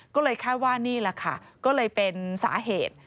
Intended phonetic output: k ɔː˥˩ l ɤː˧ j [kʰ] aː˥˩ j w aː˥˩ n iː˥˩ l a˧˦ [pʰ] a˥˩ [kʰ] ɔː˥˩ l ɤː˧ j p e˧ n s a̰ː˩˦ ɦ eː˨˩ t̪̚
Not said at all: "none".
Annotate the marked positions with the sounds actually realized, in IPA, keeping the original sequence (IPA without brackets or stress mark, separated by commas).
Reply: kʰ, kʰ, k